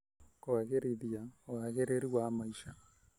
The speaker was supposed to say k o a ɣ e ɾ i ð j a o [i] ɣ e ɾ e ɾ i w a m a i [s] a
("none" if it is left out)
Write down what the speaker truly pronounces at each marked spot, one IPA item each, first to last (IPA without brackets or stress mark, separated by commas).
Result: a, ʃ